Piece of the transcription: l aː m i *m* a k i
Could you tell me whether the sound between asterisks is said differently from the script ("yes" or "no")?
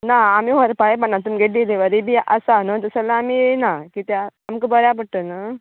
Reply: yes